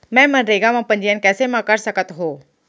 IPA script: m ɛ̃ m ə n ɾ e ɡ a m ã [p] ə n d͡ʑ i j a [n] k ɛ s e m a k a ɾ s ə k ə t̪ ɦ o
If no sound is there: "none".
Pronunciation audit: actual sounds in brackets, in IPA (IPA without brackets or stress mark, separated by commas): p, n